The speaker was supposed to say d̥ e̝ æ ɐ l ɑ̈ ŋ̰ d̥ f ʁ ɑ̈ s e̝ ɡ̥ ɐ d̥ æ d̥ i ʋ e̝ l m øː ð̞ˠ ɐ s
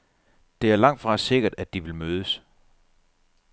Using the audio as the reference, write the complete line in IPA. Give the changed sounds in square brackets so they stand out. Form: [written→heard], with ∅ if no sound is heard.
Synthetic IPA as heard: d̥ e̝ æ ɐ l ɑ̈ ŋ̰ d̥ f ʁ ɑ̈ s e̝ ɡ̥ ɐ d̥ æ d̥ i ʋ e̝ l m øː ð̞ˠ [ɐ→ə] s